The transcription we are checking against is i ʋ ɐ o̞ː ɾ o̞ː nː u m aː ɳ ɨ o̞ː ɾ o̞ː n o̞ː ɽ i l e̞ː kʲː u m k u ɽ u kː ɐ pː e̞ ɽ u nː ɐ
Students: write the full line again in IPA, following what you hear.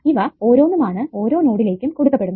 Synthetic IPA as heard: i ʋ ɐ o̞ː ɾ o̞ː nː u m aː ɳ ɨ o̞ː ɾ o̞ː n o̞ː ɽ i l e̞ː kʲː u m k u ɽ u kː ɐ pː e̞ ɽ u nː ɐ